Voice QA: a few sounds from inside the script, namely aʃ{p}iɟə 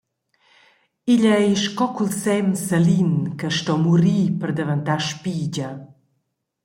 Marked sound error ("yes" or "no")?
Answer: no